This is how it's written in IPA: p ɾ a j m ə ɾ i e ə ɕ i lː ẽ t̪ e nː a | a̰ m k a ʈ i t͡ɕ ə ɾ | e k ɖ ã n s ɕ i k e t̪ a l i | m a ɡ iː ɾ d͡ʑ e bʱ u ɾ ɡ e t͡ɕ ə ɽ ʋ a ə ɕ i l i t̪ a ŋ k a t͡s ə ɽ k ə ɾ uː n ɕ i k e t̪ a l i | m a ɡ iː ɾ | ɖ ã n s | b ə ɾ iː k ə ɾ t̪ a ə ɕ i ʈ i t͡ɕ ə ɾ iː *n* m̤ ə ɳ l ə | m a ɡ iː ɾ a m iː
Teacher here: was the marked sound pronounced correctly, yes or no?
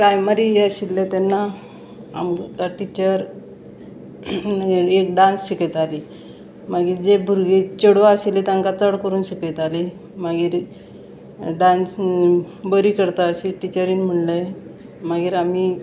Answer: yes